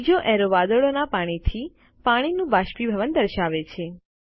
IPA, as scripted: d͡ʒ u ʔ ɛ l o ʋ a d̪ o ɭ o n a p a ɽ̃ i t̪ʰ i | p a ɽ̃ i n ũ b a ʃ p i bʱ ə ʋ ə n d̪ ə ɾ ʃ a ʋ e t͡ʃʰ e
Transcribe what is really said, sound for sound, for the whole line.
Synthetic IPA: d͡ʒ o ʔ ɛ ɾ o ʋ a d̪ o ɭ o n a p a ɽ̃ i t̪ʰ i | p a ɽ̃ i n ũ b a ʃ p i bʱ ə ʋ ə n d̪ ə ɾ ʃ a ʋ e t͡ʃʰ e